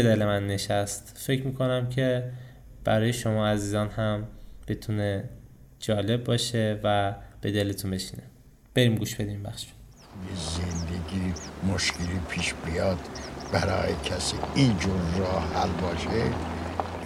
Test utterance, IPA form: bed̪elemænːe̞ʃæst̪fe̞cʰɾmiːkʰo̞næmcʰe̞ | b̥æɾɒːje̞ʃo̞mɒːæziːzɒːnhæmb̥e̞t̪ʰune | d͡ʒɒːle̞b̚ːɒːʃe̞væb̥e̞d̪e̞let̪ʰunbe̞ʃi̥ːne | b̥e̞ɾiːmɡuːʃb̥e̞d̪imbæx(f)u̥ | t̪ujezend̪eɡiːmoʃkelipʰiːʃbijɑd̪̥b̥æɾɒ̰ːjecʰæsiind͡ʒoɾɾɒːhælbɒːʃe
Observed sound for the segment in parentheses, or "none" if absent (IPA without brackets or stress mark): ʃ